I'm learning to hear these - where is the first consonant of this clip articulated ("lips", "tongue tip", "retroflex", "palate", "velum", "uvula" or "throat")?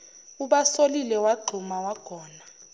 lips